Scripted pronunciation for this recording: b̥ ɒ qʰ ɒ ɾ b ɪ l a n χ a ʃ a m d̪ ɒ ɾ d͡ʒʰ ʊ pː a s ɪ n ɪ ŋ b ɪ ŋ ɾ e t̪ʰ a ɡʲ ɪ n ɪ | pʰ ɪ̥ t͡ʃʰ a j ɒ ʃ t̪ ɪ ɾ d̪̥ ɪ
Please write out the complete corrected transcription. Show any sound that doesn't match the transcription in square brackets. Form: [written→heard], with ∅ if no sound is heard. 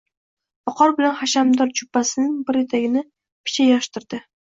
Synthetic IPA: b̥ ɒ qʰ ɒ ɾ b ɪ l a n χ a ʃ a m d̪ ɒ ɾ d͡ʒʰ ʊ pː a s ɪ n ɪ ŋ b ɪ [ŋ→∅] ɾ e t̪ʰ a ɡʲ ɪ n ɪ | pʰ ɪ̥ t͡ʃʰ a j ɒ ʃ t̪ ɪ ɾ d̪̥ ɪ